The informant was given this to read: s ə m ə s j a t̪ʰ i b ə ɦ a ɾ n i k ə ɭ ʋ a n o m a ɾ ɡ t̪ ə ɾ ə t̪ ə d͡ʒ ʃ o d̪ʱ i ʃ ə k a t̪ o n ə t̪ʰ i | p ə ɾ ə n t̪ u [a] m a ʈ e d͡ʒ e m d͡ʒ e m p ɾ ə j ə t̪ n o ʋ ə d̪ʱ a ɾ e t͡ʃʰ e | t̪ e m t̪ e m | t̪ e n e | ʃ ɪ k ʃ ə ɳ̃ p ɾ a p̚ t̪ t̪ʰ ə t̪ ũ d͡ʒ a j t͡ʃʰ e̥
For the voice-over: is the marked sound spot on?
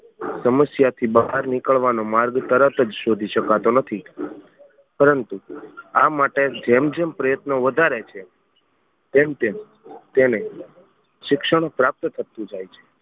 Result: yes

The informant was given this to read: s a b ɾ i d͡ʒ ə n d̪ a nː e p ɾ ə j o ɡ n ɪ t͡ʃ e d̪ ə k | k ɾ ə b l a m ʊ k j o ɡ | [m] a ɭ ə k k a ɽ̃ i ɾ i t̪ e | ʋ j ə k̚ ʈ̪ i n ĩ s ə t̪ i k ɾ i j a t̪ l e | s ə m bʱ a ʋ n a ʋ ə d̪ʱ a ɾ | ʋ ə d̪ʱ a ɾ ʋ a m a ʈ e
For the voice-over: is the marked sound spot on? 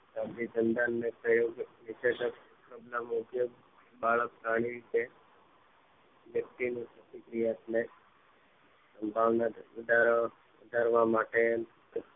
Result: no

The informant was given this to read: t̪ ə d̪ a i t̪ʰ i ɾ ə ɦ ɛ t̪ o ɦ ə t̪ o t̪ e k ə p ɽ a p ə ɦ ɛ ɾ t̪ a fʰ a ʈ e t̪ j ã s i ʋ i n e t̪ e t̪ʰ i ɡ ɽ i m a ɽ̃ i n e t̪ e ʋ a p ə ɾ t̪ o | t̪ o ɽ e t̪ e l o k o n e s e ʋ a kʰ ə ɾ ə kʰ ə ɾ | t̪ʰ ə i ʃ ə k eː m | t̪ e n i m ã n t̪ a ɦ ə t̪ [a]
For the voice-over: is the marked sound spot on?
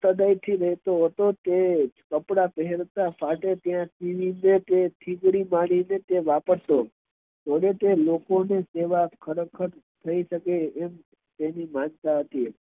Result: no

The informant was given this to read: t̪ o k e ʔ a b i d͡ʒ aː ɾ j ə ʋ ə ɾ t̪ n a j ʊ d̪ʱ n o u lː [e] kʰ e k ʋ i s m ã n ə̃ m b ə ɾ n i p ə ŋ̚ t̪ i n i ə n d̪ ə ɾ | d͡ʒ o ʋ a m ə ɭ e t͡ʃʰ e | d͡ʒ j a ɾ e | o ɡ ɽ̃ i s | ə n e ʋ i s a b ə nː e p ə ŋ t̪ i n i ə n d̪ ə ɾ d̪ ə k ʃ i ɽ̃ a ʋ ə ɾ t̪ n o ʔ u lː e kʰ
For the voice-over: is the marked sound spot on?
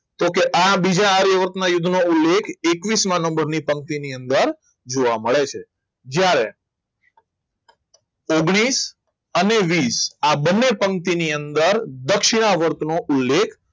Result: yes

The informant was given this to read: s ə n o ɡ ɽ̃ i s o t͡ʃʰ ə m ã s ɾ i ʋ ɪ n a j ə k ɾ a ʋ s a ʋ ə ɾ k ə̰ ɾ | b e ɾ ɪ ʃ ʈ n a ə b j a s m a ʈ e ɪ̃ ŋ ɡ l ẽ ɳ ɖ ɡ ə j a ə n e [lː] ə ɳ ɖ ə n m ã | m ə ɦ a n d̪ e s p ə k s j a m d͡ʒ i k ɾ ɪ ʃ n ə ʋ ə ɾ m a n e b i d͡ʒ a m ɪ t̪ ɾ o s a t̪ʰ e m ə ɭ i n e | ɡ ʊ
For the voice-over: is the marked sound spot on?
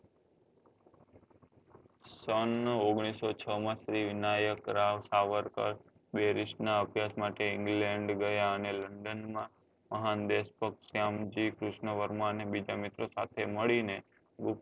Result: no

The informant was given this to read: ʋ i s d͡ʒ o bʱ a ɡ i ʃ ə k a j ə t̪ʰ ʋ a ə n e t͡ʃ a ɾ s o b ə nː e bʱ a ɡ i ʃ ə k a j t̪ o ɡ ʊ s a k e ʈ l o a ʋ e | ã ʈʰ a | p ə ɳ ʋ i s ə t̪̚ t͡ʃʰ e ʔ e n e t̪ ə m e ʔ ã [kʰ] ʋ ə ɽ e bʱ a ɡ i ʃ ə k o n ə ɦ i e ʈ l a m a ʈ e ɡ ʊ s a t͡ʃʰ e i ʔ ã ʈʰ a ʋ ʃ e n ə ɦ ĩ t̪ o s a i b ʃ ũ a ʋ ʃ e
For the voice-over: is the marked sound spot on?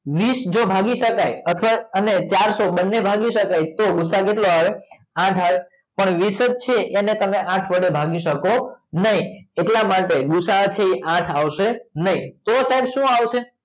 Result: no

